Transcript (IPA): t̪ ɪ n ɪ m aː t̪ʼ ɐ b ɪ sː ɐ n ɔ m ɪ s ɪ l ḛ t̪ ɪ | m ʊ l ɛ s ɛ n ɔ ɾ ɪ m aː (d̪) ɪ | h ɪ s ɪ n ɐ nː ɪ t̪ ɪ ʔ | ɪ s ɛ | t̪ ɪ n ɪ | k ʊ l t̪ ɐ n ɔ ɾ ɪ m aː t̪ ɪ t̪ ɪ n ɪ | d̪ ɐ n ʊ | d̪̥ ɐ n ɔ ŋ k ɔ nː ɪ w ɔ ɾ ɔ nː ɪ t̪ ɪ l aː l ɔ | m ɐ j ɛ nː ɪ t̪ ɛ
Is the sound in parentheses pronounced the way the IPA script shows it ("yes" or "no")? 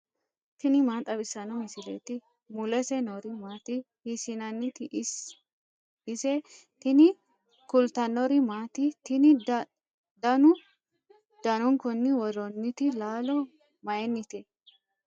no